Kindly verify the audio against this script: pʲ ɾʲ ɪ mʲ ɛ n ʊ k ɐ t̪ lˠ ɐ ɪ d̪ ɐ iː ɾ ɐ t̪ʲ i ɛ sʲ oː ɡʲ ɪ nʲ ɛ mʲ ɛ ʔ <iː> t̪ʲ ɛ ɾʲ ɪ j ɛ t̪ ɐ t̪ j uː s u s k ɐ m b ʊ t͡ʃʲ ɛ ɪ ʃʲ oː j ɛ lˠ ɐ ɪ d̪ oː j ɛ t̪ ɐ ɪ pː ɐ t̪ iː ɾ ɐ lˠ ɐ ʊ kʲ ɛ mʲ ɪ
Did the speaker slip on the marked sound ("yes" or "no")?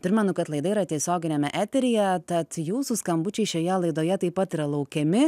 yes